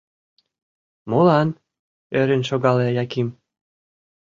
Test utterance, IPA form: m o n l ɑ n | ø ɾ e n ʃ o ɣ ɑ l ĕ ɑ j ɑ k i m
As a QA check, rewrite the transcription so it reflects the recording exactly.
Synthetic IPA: m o l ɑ n | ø ɾ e n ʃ o ɣ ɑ l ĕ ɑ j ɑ k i m